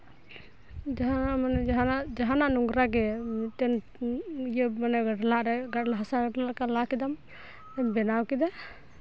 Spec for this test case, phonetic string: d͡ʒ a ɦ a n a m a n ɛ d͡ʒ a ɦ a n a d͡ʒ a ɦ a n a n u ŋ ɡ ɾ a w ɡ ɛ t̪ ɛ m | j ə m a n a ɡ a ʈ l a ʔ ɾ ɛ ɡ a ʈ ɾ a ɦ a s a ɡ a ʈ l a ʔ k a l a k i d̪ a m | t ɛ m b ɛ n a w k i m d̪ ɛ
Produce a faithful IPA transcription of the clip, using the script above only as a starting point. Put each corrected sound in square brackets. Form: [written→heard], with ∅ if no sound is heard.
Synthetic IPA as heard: d͡ʒ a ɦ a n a m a n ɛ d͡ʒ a ɦ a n a d͡ʒ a ɦ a n a n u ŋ ɡ ɾ a [w→∅] ɡ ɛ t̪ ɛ [m→n] | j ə m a n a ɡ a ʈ l a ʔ ɾ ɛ ɡ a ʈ [ɾ→l] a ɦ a s a ɡ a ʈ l a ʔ k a l a k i d̪ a m | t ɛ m b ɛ n a w k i [m→∅] d̪ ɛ